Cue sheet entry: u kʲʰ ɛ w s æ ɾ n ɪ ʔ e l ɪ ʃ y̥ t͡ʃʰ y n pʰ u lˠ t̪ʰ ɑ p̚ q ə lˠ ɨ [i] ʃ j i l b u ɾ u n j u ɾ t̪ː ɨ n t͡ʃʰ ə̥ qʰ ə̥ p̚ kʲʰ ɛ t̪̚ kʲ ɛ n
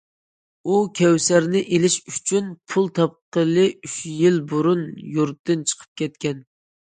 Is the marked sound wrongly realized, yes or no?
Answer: yes